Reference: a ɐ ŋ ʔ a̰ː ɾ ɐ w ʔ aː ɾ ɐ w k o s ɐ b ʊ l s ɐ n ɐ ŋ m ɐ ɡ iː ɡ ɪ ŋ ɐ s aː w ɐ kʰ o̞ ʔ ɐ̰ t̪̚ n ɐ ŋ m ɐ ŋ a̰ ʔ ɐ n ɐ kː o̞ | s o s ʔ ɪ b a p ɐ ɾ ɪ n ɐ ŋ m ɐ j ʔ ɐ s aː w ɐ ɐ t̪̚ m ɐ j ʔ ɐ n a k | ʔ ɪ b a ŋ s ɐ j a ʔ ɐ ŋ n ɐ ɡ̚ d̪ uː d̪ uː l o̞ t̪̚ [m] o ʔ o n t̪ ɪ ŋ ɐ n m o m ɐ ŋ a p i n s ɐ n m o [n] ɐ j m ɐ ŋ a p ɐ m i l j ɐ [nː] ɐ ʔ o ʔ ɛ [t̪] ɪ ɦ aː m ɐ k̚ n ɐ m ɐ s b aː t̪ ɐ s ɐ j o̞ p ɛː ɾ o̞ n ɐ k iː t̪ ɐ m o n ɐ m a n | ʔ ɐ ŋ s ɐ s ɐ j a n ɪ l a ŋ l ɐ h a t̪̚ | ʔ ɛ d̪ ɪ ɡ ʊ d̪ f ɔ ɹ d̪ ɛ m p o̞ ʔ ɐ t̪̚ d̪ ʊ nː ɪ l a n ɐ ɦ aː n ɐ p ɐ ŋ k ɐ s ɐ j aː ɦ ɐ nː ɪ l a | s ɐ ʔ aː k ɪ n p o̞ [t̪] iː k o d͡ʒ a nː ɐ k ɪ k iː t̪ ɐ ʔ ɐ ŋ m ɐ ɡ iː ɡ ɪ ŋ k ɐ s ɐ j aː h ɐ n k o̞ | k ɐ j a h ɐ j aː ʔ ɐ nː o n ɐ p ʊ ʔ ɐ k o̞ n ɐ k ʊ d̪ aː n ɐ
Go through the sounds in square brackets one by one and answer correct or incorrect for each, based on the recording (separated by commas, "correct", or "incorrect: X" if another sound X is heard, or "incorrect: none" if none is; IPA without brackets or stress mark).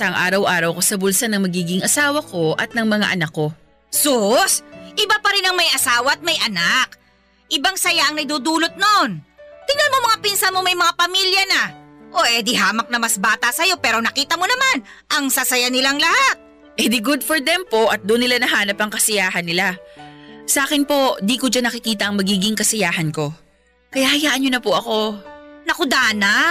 incorrect: n, incorrect: m, incorrect: n, incorrect: d̪, incorrect: d̪